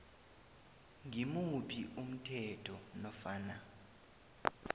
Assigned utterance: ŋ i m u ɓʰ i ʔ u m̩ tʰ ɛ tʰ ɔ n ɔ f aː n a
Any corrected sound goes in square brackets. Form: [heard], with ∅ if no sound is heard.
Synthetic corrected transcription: ŋ i m u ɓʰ i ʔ u m̩ tʰ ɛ tʰ ɔ n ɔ f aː n a